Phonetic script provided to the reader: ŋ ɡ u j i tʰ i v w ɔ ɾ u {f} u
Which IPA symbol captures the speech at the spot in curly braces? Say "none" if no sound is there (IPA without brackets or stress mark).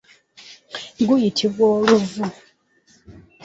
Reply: v